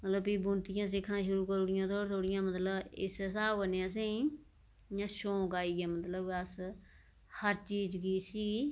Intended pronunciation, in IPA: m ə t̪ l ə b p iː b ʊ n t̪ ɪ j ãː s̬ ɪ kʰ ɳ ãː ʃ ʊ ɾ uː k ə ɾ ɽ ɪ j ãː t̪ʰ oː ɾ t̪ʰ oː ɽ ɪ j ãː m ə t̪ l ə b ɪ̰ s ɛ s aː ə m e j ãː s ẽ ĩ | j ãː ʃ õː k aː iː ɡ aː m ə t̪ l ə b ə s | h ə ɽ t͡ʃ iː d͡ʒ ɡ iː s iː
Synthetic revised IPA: m ə t̪ l ə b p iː b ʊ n t̪ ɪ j ãː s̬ ɪ kʰ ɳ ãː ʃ ʊ ɾ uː k ə ɾ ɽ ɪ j ãː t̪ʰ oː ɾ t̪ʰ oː ɽ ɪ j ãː m ə t̪ l ə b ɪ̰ s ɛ s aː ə n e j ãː s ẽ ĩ | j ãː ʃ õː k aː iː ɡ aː m ə t̪ l ə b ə s | h ə ɾ t͡ʃ iː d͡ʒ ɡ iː s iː

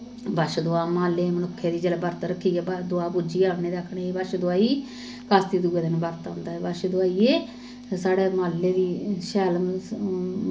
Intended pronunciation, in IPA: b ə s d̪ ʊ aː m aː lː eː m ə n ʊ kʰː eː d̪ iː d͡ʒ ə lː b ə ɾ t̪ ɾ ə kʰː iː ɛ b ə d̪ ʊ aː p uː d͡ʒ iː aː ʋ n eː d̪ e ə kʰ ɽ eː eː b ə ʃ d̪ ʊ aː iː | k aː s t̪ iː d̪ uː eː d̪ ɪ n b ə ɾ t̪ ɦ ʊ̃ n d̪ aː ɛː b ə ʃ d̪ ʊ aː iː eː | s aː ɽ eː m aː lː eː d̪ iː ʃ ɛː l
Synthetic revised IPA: b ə ʃ d̪ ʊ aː m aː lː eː m ə n ʊ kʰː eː d̪ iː d͡ʒ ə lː b ə ɾ t̪ ɾ ə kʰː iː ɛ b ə d̪ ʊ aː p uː d͡ʒ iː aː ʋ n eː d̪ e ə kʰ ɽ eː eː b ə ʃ d̪ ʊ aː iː | k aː s t̪ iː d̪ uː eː d̪ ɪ n b ə ɾ t̪ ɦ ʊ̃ n d̪ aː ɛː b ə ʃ d̪ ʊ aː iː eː | s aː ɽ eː m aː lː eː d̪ iː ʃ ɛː l

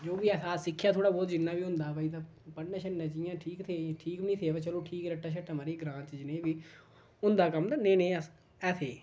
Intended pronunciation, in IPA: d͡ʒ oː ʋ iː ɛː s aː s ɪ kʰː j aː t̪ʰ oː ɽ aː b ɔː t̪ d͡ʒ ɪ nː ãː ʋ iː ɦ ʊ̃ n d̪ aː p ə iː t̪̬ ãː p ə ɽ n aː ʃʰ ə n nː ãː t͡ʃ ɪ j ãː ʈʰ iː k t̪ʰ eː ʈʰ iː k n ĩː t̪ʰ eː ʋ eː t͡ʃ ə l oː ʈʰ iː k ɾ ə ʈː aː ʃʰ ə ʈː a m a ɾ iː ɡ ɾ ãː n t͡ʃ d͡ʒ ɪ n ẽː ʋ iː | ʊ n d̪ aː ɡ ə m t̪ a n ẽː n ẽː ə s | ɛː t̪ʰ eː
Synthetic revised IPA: d͡ʒ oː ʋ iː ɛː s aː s ɪ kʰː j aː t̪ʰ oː ɽ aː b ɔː t̪ d͡ʒ ɪ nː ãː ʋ iː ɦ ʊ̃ n d̪ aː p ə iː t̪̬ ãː p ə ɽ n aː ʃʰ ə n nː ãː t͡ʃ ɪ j ãː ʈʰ iː k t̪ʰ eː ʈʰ iː k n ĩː t̪ʰ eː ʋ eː t͡ʃ ə l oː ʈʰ iː k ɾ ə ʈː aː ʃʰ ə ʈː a m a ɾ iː ɡ ɾ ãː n t͡ʃ d͡ʒ ɪ n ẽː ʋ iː | ʊ n d̪ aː k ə m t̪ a n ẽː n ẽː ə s | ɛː t̪ʰ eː

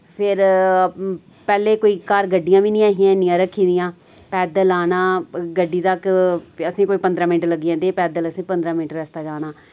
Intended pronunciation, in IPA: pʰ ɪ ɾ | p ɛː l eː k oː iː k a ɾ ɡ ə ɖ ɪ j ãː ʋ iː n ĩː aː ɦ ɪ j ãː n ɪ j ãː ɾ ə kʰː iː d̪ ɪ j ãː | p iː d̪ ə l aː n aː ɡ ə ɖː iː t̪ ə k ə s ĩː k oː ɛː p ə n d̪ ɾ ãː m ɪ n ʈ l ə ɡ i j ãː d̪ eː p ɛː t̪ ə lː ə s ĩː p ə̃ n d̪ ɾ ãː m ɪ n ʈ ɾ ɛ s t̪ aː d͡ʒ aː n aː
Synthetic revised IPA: pʰ ɪ ɾ | p ɛː l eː k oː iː k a ɾ ɡ ə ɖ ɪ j ãː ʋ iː n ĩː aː ɦ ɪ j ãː n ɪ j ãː ɾ ə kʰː iː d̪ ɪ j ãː | p ɛː d̪ ə l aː n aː ɡ ə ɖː iː t̪ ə k ə s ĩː k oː iː p ə n d̪ ɾ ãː m ɪ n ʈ l ə ɡ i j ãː d̪ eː p ɛː d̪ ə l ə s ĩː p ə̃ n d̪ ɾ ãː m ɪ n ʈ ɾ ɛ s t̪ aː d͡ʒ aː n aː

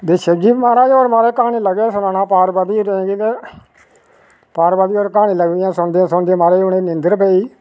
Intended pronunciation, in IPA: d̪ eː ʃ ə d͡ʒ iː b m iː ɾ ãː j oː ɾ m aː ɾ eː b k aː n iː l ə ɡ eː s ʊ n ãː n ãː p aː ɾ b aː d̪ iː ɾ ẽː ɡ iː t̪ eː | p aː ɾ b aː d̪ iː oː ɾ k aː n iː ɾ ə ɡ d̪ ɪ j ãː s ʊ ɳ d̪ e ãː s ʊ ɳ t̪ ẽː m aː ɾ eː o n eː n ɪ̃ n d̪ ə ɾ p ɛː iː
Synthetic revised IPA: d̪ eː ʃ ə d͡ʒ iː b m aː ɾ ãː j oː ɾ m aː ɾ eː k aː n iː l ə ɡ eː s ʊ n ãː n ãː p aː ɾ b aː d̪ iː ɾ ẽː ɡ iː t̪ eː | p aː ɾ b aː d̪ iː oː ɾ k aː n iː l ə ɡ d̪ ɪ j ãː s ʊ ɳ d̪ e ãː s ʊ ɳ d̪ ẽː m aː ɾ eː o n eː n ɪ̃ n d̪ ə ɾ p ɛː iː

